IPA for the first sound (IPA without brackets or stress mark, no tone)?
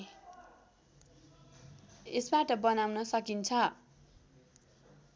e